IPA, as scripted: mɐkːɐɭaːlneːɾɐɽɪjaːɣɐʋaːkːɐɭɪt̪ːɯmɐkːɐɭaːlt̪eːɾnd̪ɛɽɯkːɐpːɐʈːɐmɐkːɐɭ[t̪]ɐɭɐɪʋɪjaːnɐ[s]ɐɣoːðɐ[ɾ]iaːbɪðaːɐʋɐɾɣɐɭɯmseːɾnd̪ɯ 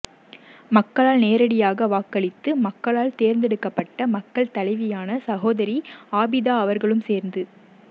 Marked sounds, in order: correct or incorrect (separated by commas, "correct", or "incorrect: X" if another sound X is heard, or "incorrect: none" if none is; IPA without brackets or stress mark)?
correct, correct, correct